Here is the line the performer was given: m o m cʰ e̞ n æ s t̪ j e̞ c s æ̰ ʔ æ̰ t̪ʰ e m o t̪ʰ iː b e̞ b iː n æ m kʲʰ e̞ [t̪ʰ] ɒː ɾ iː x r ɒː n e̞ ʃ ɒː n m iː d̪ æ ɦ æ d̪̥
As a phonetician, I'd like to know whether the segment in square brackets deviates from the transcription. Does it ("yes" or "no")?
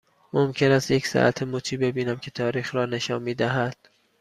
no